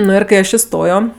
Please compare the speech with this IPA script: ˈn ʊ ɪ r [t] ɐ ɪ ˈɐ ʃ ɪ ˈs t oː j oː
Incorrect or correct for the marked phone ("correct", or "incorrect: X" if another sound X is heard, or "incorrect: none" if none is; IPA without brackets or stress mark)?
incorrect: k